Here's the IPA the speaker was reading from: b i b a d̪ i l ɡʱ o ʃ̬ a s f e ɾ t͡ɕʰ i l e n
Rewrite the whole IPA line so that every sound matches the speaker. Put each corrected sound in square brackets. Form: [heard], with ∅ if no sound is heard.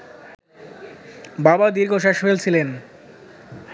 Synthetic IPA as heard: b [a] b a d̪ i [ɾ] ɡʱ o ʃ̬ a [ʃ] f e [l] t͡ɕʰ i l e n